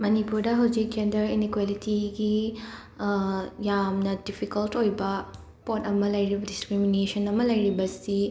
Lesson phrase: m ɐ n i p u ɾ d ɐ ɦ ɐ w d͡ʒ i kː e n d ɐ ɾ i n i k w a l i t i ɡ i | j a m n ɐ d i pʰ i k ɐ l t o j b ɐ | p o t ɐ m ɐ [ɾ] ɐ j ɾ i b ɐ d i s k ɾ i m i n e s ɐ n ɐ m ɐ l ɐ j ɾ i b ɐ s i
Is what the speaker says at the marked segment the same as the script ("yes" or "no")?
no